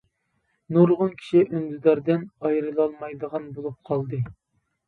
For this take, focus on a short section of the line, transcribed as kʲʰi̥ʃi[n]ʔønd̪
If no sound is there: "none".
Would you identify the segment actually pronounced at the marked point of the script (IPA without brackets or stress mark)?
none